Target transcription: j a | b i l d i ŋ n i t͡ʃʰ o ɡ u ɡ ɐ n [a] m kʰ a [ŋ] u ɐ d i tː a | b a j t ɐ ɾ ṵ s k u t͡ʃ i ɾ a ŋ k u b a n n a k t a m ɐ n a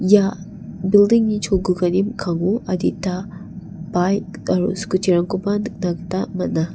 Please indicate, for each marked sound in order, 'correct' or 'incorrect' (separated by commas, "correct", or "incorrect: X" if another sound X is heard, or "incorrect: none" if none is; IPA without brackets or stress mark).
incorrect: i, correct